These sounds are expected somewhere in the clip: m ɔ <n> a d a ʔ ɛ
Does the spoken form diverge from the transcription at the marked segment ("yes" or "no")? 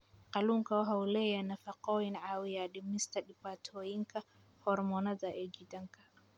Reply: no